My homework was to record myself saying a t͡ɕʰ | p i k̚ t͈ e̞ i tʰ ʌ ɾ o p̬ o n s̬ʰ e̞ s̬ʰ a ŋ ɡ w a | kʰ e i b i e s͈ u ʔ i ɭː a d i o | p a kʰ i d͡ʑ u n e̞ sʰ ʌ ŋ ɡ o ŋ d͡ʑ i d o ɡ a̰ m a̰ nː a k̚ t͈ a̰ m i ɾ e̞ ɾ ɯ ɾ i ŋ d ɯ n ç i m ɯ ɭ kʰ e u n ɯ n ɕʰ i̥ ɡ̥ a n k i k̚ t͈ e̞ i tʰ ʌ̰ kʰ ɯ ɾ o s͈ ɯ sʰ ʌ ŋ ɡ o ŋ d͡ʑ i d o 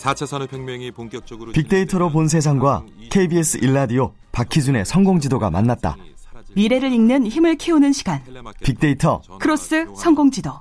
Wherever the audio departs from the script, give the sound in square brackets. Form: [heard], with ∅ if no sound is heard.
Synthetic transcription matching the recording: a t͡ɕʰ | p i k̚ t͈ e̞ i tʰ ʌ ɾ o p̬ o n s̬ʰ e̞ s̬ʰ a ŋ ɡ w a | kʰ e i b i e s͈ [ɯ] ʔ i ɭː a d i o | p a kʰ i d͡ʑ u n e̞ sʰ ʌ ŋ ɡ o ŋ d͡ʑ i d o ɡ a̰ m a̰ nː a [t̚] t͈ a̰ m i ɾ e̞ ɾ ɯ ɾ i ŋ [n] ɯ n ç i m ɯ ɭ kʰ e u n ɯ n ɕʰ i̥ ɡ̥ a n [p] i k̚ t͈ e̞ i tʰ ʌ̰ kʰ ɯ ɾ o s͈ ɯ sʰ ʌ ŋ ɡ o ŋ d͡ʑ i d o